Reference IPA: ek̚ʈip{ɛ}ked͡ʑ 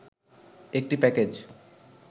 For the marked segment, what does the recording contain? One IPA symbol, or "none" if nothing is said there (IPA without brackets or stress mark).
ɛ